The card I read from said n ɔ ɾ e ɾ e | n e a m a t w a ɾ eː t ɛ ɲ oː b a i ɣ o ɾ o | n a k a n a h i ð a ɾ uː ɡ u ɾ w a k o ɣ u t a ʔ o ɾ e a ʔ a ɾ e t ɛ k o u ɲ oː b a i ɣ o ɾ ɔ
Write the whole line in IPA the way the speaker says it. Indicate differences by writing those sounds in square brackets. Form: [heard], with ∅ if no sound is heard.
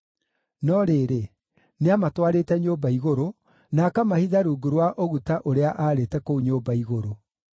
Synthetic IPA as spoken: n ɔ ɾ e ɾ e | n e a m a t w a ɾ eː t ɛ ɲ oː b a i ɣ o ɾ o | n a k a [m] a h i ð a ɾ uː ɡ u ɾ w a [ʔ] o ɣ u t a ʔ o ɾ e a ʔ a ɾ e t ɛ k o u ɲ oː b a i ɣ o ɾ [o]